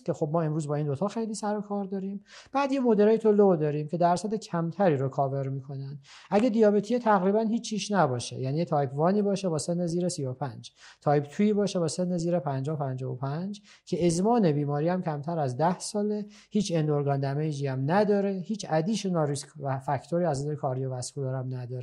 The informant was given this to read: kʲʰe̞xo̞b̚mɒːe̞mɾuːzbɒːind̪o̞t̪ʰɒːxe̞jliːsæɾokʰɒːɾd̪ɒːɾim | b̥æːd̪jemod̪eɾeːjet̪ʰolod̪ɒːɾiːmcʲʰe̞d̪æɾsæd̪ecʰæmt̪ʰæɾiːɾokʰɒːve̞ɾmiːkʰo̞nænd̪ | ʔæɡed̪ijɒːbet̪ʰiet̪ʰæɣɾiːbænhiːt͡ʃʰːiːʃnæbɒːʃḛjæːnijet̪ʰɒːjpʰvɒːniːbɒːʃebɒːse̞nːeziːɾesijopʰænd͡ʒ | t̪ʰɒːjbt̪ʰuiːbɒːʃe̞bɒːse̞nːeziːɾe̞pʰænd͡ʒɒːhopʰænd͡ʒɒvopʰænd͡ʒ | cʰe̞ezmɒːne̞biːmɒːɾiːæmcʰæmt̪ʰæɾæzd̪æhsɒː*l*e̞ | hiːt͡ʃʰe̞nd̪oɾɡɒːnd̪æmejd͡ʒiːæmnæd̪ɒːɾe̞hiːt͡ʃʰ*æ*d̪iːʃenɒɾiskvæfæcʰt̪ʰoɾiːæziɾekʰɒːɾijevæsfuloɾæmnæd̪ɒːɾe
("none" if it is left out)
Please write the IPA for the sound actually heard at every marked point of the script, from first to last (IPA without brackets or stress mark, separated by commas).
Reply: l, æ